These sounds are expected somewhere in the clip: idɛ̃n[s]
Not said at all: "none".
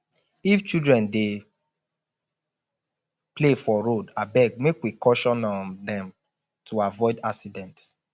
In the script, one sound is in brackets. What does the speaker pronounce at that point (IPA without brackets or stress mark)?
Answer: t